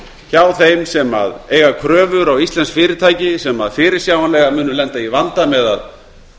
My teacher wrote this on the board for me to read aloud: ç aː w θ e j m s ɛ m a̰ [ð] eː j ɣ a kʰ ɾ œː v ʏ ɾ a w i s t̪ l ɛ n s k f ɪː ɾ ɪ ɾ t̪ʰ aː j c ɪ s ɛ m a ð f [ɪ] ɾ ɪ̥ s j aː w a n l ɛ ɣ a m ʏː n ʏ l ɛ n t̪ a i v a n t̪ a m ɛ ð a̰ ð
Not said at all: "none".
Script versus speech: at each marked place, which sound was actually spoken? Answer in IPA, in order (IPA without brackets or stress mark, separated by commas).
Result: ð, ɪː